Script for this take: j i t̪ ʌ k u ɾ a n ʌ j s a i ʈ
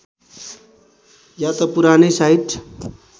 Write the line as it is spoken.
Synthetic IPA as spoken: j a t̪ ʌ p u ɾ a n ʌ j s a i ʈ